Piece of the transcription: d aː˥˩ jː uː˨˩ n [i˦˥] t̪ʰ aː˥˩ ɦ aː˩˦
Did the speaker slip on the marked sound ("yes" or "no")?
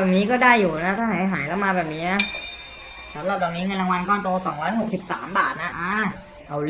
yes